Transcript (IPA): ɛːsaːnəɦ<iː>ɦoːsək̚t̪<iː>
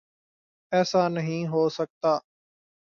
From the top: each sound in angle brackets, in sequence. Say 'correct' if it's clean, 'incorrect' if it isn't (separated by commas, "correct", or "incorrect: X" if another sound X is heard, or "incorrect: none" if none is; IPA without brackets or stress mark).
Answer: incorrect: ĩː, incorrect: aː